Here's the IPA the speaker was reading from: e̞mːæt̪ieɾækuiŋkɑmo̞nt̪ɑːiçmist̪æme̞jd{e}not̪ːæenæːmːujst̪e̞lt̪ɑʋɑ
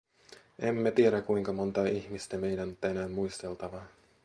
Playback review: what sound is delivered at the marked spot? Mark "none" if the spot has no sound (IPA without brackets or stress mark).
æ